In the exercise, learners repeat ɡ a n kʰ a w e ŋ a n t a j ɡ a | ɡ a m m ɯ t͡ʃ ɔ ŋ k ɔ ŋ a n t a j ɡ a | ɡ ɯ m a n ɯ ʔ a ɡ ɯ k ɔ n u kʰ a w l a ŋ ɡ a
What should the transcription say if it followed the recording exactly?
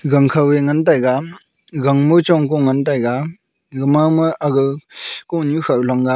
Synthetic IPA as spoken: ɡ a ŋ kʰ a w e ŋ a n t a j ɡ a | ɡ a ŋ m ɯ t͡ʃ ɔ ŋ k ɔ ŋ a n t a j ɡ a | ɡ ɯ m a m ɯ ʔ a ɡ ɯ k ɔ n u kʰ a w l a ŋ ɡ a